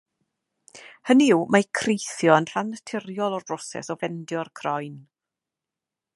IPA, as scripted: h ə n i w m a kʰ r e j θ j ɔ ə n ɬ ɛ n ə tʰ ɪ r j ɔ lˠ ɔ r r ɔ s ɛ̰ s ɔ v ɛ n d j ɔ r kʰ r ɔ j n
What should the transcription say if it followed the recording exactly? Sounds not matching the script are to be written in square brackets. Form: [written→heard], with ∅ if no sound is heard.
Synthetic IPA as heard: h ə n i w m a kʰ r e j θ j ɔ ə n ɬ [ɛ→a] n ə tʰ ɪ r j ɔ lˠ ɔ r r ɔ s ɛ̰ s ɔ v ɛ n d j ɔ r kʰ r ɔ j n